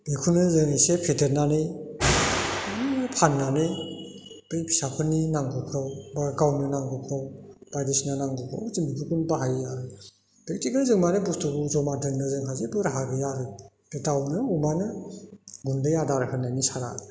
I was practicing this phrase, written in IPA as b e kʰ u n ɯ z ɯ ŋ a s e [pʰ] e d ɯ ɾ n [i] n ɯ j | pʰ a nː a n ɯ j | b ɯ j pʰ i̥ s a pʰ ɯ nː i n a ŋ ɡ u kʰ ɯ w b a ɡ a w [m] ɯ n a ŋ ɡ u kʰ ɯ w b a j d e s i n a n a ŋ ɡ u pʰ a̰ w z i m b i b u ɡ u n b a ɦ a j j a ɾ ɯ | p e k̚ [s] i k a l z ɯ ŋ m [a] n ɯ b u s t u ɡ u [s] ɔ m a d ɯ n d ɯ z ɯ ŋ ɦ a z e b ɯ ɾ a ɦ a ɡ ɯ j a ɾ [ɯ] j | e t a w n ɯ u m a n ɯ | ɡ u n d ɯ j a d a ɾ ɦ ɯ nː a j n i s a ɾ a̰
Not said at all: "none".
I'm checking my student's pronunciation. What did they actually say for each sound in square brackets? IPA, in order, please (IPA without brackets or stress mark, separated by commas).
pʰ, a, n, t, a, z, ɯ